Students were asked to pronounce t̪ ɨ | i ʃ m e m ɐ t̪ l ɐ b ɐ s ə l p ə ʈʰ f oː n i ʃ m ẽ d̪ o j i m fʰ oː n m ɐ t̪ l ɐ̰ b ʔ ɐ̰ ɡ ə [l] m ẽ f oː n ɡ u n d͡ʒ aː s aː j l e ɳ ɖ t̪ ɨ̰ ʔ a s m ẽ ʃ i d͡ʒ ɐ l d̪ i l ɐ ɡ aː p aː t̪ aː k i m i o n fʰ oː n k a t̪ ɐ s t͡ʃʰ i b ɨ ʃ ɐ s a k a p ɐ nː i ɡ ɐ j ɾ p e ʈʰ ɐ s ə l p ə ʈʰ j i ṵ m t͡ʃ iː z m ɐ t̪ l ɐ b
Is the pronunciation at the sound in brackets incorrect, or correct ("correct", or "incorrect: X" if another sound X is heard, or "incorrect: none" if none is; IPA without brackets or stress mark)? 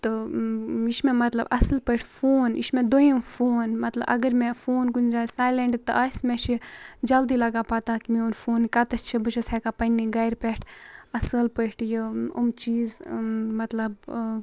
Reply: incorrect: ɾ